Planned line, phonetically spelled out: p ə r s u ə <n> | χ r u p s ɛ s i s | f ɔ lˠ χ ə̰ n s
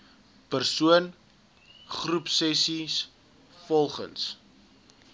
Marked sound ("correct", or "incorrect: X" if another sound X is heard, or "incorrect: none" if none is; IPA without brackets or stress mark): correct